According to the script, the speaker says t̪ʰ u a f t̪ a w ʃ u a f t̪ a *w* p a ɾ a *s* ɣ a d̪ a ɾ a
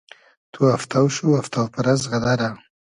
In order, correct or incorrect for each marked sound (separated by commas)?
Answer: correct, incorrect